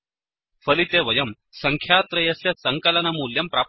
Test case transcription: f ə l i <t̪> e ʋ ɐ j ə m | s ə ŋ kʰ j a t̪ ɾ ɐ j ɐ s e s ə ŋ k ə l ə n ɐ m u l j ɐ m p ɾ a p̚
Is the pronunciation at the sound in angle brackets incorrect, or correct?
correct